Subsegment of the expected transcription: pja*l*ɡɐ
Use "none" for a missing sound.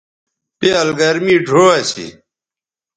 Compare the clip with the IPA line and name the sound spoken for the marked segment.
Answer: l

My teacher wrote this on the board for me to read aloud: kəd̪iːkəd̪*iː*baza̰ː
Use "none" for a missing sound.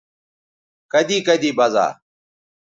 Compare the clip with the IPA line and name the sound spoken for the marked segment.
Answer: iː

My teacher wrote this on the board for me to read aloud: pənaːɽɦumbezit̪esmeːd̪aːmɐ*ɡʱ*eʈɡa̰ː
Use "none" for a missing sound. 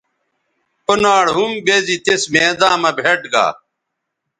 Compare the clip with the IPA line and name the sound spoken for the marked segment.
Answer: bʱ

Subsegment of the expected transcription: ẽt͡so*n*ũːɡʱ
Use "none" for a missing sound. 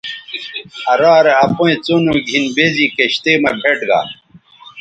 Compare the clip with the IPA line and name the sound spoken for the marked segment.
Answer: n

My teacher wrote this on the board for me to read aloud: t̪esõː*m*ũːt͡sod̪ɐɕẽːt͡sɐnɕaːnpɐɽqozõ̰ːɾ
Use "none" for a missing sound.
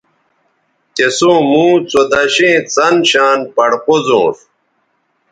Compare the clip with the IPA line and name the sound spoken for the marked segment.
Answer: m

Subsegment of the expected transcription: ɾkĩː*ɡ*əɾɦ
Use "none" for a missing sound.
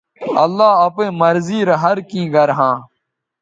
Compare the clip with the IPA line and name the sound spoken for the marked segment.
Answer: ɡ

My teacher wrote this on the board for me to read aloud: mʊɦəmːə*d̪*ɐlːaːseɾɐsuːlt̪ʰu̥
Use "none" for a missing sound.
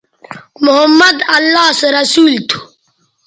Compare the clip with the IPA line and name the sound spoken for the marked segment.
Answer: d̪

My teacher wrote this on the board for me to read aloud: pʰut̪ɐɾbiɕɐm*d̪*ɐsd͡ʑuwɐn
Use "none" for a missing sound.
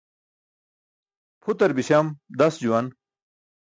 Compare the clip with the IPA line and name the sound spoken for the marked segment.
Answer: d̪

